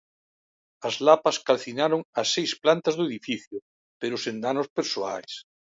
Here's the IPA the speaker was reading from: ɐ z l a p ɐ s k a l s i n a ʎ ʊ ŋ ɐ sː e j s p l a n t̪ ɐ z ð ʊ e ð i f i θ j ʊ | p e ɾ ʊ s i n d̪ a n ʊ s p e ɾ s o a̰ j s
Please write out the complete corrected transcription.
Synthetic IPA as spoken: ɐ z l a p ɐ s k a l θ i n a ɾ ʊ ŋ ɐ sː e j s p l a n t̪ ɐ z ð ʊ e ð i f i θ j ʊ | p e ɾ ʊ s e n d̪ a n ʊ s p e ɾ s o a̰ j s

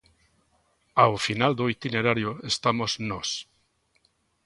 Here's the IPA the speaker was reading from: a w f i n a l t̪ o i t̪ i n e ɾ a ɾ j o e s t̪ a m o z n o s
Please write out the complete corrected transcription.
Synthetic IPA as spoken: a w f i n a l d̪ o i t̪ i n e ɾ a ɾ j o e s t̪ a m o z n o s

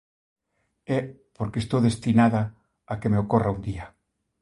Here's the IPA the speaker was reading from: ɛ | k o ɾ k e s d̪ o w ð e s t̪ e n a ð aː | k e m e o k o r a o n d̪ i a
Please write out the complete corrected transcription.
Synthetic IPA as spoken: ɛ | p o ɾ k e s t̪ o w ð e s t̪ i n a ð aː | k e m e o k o r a u n d̪ i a

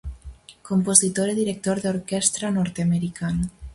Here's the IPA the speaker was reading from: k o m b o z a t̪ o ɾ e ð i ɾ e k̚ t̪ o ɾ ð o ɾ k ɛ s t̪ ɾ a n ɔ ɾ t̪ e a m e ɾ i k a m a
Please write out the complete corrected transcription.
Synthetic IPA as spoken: k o m p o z i t̪ o ɾ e ð i ɾ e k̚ t̪ o ɾ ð o ɾ k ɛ s t̪ ɾ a n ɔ ɾ t̪ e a m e ɾ i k a n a

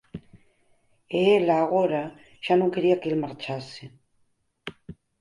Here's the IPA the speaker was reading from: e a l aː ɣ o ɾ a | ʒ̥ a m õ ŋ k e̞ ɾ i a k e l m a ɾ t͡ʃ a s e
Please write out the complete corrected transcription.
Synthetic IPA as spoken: e e l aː ɣ o ɾ a | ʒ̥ a n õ ŋ k e̞ ɾ i a k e l m a ɾ t͡ʃ a s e

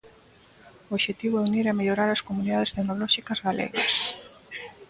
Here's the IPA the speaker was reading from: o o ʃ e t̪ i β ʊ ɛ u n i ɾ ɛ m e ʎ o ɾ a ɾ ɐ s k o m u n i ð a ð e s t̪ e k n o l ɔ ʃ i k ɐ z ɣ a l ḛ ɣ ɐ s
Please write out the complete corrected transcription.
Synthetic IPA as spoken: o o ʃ e t̪ i β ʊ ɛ u n i ɾ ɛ m e ʎ o ɾ a ɾ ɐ s k o m u n i ð a ð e s t̪ e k n o l ɔ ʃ i k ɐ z ɣ a l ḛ ɣ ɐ s

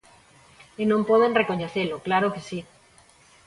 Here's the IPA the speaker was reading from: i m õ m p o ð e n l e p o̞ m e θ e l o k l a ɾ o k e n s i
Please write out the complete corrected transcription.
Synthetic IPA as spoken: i n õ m p o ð e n r e k o̞ ɲ e θ e l o k l a ɾ o k e s i

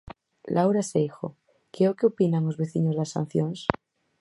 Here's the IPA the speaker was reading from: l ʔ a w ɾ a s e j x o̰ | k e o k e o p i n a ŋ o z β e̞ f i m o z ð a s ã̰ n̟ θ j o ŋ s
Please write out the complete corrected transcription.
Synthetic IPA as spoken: l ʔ a w ɾ a s e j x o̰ | k e o k e o p i n a ŋ o z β e̞ θ i ɲ o z ð a s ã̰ n̟ θ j o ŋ s

